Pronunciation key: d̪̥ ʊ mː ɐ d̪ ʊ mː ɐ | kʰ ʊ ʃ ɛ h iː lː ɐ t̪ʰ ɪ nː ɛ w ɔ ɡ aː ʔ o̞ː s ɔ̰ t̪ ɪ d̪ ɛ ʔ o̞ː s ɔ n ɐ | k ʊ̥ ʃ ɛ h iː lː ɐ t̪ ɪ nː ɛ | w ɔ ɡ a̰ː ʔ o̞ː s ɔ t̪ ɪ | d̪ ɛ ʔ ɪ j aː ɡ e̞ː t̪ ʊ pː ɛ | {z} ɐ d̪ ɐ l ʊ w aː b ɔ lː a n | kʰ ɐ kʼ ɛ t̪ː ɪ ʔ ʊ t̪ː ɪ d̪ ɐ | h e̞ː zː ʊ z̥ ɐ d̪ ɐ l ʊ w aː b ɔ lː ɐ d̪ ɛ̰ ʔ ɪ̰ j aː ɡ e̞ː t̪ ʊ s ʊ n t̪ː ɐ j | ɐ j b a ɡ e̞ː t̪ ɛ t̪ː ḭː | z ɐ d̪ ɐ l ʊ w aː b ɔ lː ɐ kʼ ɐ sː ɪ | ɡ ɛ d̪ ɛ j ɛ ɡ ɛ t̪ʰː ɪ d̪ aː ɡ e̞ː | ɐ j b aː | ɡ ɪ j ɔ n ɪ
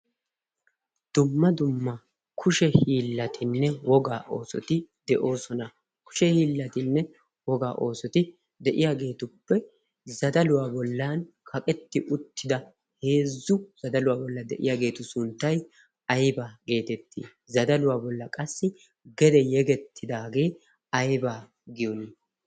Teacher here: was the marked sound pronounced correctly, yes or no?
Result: yes